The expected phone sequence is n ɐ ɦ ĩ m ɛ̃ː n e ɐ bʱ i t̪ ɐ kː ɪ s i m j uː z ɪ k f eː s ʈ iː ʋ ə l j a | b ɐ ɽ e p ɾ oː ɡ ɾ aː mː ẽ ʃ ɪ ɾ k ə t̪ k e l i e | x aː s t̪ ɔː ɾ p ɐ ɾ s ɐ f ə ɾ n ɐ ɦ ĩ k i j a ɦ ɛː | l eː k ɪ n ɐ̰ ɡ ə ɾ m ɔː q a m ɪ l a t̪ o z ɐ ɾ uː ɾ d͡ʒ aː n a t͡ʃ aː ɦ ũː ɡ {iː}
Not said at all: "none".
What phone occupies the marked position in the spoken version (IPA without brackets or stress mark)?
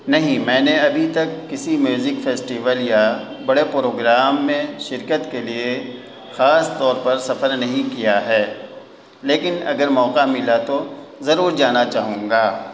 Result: aː